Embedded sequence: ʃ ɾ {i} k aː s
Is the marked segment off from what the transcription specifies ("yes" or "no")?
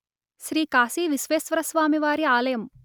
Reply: yes